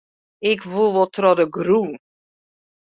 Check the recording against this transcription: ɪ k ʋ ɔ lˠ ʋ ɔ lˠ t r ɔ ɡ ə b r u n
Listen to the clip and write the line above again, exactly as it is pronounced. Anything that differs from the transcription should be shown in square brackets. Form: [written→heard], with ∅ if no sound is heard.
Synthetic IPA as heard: ɪ k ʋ [ɔ→u] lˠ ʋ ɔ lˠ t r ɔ [ɡ→d] ə [b→ɡ] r u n